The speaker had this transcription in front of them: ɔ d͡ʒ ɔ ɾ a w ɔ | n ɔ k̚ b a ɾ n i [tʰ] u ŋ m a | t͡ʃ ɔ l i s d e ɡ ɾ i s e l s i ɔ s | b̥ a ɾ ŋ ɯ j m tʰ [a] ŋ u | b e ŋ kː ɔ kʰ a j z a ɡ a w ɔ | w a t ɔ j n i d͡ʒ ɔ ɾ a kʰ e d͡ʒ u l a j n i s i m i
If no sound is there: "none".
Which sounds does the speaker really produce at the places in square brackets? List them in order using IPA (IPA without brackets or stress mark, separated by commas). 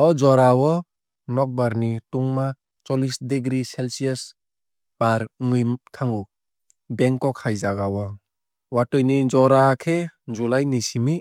t, a